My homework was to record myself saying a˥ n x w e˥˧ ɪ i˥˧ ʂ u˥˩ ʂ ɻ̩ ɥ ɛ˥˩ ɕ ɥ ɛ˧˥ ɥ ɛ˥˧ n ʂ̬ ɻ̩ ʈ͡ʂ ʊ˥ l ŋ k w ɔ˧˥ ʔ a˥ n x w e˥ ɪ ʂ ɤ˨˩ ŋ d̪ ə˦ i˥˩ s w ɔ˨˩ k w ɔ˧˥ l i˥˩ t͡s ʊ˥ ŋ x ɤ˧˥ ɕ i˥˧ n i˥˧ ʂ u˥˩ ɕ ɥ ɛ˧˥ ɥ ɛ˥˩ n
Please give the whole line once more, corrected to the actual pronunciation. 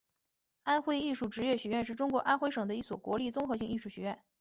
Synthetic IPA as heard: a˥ n x w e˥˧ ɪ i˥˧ ʂ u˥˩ ʈ͡ʂ ɻ̩ ɥ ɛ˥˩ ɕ ɥ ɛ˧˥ ɥ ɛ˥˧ n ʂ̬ ɻ̩ ʈ͡ʂ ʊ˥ ŋ k w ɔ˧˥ ʔ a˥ n x w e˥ ɪ ʂ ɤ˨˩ ŋ d̪ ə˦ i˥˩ s w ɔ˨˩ k w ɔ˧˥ l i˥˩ t͡s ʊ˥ ŋ x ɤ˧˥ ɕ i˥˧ ŋ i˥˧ ʂ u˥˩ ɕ ɥ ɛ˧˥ ɥ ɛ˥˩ n